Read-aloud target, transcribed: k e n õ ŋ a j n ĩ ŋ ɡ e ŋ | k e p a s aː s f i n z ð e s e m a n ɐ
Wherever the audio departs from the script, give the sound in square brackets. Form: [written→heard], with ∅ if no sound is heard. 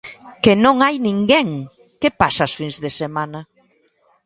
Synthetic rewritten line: k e n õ ŋ a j n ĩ ŋ ɡ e ŋ | k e p a s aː s f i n z ð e s e m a n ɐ